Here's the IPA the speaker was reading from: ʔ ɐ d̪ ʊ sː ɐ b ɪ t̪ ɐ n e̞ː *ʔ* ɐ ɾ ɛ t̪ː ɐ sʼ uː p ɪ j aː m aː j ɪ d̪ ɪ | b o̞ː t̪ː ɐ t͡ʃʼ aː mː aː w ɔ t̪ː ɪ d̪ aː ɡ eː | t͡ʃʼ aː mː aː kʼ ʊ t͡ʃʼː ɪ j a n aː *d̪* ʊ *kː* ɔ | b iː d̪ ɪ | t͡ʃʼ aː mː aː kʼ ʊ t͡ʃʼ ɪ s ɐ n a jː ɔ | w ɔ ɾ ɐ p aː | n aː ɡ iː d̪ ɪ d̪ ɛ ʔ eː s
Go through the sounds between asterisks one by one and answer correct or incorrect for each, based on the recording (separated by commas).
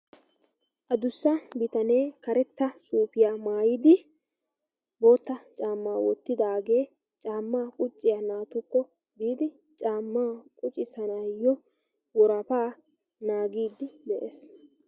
incorrect, incorrect, correct